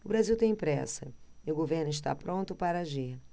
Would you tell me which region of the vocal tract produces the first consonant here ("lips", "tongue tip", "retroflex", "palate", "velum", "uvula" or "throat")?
lips